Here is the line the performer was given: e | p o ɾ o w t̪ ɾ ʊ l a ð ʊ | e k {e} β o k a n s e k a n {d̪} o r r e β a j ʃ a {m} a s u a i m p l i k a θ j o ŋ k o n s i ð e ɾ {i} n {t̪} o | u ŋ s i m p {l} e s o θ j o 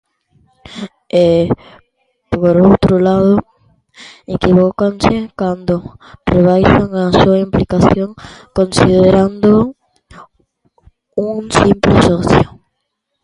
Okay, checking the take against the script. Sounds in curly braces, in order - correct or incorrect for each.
incorrect, correct, incorrect, incorrect, incorrect, correct

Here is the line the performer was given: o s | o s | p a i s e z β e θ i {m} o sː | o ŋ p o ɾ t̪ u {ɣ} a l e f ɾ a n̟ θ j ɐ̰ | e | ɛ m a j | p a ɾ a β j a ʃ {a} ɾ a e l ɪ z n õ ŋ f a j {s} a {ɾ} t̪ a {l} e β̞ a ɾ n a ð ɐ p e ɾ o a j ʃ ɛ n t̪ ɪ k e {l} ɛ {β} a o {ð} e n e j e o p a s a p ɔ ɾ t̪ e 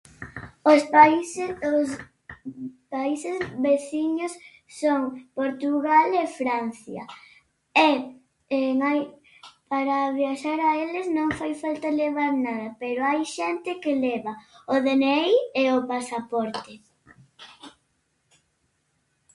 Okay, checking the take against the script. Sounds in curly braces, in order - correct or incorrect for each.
incorrect, correct, correct, incorrect, incorrect, correct, correct, correct, correct

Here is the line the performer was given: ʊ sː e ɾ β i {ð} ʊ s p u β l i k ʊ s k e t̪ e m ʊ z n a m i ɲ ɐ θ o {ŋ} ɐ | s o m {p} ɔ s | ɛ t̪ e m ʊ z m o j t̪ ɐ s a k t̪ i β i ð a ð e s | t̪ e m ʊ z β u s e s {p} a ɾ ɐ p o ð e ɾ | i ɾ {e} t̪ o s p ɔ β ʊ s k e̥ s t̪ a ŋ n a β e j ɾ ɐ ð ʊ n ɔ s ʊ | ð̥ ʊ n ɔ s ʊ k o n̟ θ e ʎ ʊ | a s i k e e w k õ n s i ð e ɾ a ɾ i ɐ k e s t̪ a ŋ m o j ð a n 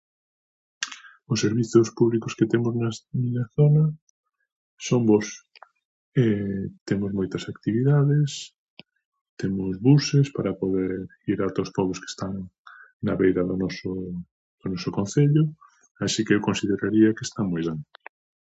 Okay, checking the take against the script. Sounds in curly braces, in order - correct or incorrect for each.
incorrect, incorrect, incorrect, correct, incorrect

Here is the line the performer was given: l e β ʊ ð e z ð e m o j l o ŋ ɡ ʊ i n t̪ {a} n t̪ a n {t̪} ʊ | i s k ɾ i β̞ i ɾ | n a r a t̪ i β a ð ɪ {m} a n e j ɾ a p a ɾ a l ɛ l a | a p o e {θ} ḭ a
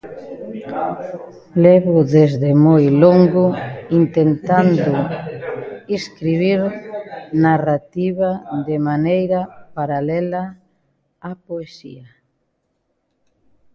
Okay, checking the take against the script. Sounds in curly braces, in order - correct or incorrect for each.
incorrect, incorrect, correct, incorrect

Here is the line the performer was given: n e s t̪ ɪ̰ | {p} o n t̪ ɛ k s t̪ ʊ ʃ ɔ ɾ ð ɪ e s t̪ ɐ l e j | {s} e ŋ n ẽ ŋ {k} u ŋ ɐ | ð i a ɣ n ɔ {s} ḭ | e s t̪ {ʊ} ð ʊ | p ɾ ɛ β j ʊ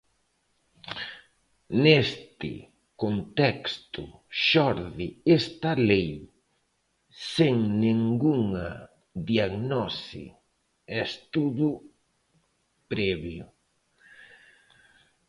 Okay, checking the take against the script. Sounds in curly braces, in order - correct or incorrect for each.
incorrect, correct, incorrect, correct, incorrect

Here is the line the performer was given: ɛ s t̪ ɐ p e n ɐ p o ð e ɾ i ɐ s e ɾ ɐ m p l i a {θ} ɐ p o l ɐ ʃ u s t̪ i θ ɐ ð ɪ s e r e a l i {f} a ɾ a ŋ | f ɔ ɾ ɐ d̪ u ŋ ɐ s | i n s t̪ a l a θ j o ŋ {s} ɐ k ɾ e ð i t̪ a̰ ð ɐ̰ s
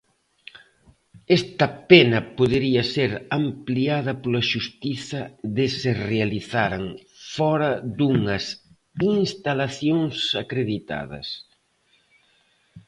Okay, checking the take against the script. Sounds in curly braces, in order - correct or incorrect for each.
incorrect, incorrect, correct

